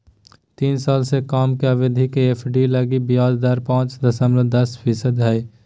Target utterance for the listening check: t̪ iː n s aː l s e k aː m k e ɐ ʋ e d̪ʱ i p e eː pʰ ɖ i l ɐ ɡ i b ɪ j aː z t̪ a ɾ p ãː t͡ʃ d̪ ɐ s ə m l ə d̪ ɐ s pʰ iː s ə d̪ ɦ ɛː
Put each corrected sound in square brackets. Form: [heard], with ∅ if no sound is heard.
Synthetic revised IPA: t̪ iː n s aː l s e k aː m k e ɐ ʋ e d̪ʱ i [k] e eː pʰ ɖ i l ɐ ɡ i b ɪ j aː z [d̪] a ɾ p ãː t͡ʃ d̪ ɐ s ə m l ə d̪ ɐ s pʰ iː s ə d̪ ɦ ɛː